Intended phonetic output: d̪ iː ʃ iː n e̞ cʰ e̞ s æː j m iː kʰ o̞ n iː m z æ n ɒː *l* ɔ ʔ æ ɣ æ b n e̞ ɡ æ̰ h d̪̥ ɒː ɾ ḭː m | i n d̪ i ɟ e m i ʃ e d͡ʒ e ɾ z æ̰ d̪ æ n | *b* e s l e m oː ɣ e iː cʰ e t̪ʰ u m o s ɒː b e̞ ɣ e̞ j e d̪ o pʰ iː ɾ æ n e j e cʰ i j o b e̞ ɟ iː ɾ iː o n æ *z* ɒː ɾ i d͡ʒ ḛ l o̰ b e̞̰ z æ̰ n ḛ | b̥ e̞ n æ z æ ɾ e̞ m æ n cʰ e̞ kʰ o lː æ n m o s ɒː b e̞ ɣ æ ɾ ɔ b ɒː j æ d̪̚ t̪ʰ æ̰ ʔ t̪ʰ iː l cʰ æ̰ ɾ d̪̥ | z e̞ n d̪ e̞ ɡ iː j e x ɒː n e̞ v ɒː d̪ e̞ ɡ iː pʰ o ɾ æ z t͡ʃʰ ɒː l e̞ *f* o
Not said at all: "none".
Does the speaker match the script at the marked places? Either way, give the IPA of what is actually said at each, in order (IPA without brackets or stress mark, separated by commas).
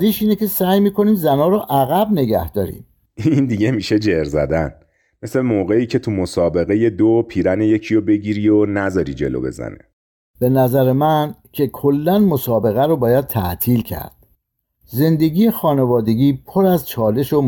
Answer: ɾ, m, z, ʃ